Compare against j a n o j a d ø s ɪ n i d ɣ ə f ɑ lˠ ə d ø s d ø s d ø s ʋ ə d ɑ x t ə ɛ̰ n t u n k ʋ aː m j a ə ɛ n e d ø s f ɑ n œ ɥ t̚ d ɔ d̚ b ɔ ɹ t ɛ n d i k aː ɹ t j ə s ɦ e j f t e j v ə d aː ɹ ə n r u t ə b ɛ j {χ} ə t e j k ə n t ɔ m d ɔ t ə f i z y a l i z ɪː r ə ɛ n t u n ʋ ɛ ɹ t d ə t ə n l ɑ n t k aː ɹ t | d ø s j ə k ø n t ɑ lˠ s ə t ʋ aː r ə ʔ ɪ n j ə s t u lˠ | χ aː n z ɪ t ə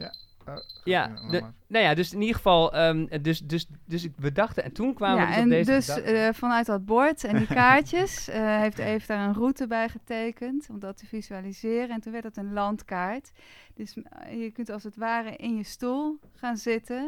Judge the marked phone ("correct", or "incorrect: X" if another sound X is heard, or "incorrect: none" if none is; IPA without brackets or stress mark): correct